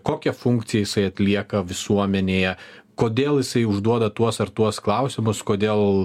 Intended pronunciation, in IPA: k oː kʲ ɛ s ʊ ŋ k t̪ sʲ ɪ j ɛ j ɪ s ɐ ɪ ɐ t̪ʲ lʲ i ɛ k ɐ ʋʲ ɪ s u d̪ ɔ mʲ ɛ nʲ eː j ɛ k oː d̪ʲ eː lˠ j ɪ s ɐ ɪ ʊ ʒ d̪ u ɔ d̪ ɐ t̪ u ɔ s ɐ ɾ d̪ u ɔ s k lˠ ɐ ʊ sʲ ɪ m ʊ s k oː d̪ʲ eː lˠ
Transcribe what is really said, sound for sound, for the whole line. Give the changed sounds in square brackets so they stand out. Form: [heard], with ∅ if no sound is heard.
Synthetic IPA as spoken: k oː kʲ ɛ [f] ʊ ŋ k t̪ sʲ ɪ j ɛ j ɪ s ɐ ɪ ɐ t̪ʲ lʲ i ɛ k ɐ ʋʲ ɪ s u [∅] ɔ mʲ ɛ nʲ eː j ɛ k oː d̪ʲ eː lˠ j ɪ s ɐ ɪ ʊ ʒ d̪ u ɔ d̪ ɐ t̪ u ɔ s ɐ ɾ [t̪] u ɔ s k lˠ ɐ ʊ sʲ ɪ m ʊ s k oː d̪ʲ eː lˠ